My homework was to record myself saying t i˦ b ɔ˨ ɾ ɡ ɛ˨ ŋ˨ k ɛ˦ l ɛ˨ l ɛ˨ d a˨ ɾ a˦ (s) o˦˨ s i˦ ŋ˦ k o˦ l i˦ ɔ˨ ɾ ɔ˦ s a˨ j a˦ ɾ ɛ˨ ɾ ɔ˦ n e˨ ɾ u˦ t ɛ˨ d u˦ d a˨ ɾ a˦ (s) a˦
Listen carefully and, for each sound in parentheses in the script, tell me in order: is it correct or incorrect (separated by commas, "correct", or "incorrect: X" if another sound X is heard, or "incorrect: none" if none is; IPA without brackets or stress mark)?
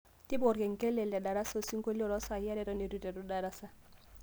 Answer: correct, correct